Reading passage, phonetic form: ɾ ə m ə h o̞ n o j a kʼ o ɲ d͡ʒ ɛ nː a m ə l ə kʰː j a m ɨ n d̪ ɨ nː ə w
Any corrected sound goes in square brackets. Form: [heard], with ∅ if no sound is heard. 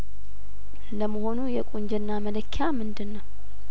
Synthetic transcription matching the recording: [l] ə m ə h o̞ n [u] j [ɛ] kʼ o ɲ d͡ʒ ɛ nː a m ə l ə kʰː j a m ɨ n d̪ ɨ nː ə w